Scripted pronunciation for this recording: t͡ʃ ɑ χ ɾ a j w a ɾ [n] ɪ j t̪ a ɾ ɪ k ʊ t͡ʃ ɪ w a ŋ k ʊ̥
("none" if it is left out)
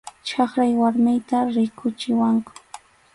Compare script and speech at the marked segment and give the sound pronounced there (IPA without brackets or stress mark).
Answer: m